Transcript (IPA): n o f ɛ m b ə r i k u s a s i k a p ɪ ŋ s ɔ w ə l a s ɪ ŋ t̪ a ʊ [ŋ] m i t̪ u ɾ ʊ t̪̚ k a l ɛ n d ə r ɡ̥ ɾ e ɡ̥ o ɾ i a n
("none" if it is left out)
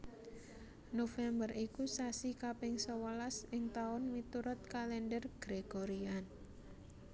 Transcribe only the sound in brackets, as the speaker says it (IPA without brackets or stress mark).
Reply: n